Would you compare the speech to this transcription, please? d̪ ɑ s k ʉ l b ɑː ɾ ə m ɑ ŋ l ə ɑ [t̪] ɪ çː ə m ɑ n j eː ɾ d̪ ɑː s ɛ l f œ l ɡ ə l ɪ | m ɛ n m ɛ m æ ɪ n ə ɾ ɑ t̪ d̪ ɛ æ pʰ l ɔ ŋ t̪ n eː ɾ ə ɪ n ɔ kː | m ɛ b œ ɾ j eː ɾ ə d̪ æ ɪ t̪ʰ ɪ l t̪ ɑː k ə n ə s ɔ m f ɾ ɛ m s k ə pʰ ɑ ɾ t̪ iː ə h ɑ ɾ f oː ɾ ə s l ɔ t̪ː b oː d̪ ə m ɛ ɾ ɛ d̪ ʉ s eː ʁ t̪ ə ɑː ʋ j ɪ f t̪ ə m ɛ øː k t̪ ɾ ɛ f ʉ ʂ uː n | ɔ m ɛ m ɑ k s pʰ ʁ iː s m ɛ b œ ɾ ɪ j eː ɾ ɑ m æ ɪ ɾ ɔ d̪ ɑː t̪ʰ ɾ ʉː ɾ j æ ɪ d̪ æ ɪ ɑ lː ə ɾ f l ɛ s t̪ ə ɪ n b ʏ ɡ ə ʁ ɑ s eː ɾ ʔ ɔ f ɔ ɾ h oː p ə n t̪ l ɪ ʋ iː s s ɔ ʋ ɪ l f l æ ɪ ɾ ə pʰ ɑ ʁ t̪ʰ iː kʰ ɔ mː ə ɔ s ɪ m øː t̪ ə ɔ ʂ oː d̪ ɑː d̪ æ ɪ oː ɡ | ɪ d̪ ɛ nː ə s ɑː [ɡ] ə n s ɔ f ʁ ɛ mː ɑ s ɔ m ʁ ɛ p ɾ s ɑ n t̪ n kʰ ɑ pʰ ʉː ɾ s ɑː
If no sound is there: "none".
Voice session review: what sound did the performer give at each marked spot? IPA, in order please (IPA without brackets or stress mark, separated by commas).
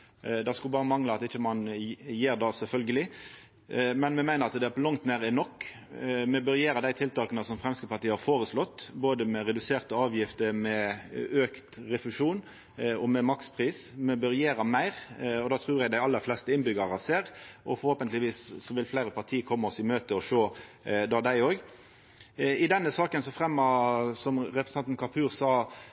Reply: t̪, k